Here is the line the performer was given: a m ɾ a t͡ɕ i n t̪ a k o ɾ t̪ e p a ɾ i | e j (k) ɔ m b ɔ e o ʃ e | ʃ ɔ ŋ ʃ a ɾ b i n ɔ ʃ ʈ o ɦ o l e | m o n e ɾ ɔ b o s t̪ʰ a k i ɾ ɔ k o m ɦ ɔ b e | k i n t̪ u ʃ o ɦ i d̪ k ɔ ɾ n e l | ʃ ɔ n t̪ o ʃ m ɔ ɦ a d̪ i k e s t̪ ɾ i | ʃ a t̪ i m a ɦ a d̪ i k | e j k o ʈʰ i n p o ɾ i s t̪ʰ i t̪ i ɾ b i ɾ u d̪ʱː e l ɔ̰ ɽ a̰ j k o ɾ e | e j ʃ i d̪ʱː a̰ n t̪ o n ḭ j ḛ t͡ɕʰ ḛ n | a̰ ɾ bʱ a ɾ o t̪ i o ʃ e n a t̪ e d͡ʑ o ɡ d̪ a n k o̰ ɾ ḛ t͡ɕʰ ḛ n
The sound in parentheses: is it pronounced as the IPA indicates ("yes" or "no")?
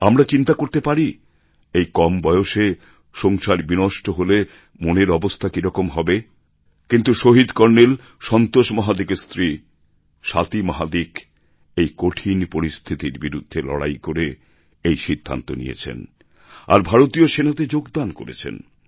yes